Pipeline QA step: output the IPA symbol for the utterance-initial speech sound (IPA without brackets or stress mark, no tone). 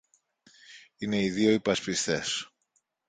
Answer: i